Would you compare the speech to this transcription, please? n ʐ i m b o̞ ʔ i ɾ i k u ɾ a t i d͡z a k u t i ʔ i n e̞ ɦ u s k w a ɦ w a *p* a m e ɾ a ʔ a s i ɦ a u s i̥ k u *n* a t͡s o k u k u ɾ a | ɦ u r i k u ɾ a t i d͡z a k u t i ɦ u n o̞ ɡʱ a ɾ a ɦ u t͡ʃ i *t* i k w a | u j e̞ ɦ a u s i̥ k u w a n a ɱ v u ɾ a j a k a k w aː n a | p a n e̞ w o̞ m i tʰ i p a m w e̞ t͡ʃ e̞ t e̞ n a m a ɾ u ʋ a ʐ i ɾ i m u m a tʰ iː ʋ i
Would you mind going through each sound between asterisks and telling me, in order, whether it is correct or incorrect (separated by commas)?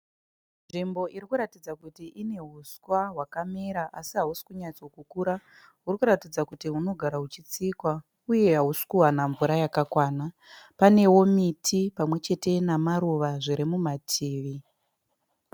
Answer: incorrect, incorrect, incorrect